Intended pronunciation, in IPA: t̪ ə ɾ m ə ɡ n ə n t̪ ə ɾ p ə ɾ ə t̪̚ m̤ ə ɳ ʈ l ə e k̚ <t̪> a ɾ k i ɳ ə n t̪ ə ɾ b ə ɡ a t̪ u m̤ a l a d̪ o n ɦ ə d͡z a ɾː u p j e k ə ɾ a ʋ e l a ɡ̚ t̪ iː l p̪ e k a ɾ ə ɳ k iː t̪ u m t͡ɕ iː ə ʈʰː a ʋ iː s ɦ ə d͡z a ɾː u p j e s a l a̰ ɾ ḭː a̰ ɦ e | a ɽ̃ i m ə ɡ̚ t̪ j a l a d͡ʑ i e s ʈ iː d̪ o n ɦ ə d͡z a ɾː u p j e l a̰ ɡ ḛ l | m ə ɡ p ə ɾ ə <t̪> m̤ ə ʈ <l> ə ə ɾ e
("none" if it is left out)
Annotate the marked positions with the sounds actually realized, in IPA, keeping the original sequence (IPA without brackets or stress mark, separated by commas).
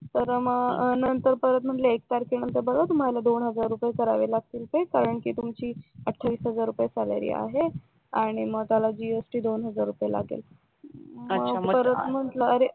t̪, t̪, l